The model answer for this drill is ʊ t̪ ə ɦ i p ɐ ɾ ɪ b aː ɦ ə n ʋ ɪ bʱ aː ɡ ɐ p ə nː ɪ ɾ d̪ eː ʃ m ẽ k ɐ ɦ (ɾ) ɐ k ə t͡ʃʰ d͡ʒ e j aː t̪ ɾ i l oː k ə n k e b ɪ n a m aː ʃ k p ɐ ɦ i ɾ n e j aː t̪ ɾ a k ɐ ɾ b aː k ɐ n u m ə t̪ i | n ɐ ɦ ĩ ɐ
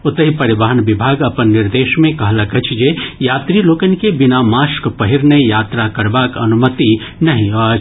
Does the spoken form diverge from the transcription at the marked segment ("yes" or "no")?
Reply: yes